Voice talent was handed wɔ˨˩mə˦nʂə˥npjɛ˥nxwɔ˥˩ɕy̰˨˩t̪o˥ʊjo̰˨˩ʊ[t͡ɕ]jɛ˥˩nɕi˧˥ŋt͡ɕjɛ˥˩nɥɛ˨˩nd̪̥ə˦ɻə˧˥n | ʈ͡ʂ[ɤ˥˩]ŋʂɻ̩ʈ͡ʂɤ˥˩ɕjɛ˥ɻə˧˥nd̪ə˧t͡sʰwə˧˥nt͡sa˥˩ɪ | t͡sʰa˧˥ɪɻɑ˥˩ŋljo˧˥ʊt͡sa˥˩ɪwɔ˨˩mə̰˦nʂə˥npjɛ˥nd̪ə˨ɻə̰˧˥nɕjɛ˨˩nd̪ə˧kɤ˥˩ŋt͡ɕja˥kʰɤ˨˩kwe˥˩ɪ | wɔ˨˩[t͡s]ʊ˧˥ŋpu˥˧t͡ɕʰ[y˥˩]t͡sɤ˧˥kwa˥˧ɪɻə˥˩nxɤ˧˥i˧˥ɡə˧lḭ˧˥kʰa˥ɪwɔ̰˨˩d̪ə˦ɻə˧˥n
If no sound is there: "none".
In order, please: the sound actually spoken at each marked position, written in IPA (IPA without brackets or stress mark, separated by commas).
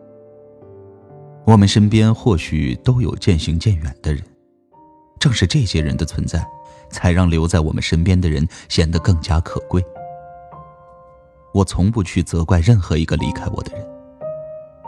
t͡ɕ, ɤ˥˧, t͡sʰ, y˥˩